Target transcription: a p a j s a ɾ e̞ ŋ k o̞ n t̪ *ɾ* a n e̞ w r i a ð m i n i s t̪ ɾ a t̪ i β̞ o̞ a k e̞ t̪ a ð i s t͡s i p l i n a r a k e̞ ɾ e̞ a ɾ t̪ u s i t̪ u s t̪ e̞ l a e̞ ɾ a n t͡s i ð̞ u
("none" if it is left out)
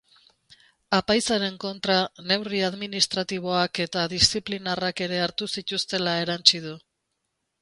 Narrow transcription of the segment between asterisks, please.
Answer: ɾ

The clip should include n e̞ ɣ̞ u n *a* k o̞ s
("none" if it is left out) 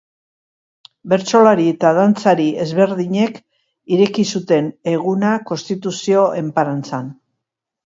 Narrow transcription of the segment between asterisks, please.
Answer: a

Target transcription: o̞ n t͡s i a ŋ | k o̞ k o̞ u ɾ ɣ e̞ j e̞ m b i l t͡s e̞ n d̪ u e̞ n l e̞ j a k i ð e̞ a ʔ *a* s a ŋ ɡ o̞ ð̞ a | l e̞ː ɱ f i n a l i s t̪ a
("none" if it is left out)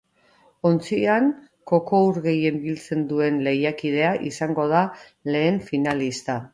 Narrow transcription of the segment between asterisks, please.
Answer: i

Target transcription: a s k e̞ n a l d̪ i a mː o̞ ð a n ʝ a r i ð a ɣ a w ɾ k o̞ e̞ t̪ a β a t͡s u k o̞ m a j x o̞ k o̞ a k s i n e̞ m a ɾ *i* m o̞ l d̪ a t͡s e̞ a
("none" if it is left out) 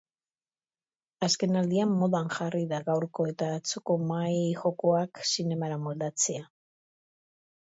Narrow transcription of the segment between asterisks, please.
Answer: a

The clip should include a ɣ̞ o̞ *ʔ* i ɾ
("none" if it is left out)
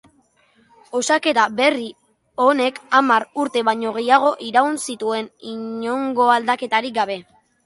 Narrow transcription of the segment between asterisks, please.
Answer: ʔ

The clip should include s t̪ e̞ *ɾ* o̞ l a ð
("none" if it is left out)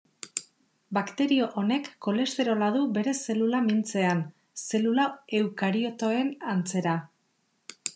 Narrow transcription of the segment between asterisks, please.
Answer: ɾ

